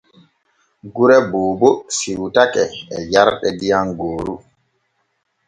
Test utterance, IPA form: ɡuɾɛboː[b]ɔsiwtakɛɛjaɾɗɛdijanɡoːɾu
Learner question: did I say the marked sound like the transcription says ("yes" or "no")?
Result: yes